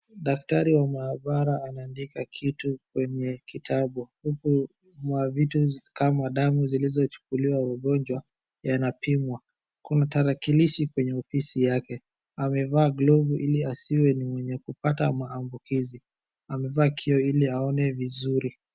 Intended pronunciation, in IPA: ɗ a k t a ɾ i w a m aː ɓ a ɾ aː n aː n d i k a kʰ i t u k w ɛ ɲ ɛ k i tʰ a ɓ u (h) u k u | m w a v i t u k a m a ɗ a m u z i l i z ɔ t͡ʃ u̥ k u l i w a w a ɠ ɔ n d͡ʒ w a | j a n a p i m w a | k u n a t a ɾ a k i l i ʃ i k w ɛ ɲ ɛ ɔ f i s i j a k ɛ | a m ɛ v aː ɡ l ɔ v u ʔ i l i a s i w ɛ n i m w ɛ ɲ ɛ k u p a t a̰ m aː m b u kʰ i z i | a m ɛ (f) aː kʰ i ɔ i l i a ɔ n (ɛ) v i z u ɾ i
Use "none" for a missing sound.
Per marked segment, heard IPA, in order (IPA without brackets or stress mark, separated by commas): h, v, ɛ